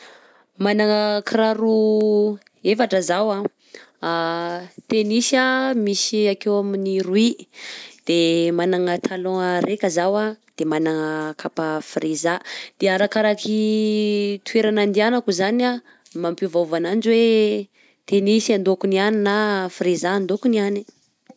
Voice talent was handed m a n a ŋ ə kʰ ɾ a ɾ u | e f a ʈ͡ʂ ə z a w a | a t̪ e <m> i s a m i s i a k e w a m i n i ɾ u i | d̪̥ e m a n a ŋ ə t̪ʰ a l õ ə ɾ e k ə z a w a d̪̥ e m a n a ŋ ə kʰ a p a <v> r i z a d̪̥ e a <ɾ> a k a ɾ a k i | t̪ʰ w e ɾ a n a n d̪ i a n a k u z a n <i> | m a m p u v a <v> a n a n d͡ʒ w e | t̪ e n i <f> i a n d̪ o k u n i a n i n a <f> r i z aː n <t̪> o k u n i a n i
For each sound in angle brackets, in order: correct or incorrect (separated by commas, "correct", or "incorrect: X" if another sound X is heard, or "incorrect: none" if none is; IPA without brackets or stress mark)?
incorrect: n, incorrect: f, correct, incorrect: a, correct, incorrect: s, correct, incorrect: d̪